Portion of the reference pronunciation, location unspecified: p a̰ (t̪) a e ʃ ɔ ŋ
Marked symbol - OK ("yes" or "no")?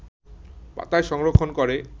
yes